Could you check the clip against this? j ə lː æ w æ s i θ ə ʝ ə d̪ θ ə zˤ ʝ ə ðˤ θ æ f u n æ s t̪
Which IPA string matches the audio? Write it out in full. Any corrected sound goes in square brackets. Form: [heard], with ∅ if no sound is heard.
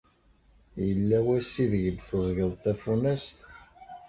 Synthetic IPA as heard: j ə lː æ w æ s i [ð] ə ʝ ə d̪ θ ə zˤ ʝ ə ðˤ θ æ f u n æ s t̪